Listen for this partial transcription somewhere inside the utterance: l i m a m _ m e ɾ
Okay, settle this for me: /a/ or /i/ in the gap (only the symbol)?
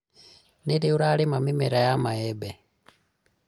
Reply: i